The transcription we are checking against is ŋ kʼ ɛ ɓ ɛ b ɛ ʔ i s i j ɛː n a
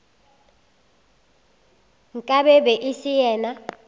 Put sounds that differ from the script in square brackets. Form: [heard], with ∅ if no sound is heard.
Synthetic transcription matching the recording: ŋ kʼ [a] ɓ ɛ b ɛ ʔ i s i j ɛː n a